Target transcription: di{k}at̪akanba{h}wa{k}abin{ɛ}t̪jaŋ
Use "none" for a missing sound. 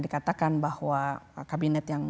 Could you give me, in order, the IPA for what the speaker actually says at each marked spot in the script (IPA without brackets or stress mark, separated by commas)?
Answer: k, h, k, ɛ